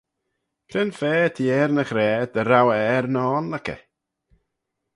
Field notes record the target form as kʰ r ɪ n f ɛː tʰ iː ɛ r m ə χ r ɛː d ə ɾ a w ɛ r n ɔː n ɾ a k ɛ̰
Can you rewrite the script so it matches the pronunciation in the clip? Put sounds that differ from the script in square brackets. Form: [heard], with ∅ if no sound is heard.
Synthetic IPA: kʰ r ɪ n f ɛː tʰ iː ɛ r [n] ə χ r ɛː d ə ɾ a w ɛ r n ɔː n [l] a k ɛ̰